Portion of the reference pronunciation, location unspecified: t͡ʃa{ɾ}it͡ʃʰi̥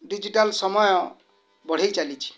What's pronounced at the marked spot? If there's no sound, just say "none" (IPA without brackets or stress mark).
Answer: l